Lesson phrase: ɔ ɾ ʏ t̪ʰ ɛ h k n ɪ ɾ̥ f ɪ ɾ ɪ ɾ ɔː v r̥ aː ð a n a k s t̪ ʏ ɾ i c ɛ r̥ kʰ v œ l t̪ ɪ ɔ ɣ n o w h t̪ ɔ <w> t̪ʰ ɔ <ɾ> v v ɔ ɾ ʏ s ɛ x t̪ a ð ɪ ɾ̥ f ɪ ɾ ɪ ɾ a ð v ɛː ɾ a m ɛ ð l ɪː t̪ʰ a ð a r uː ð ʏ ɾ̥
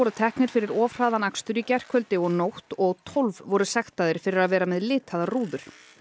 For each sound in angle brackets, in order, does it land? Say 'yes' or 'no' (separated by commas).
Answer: no, no